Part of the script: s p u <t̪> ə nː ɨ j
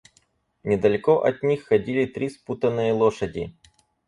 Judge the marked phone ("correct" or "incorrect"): correct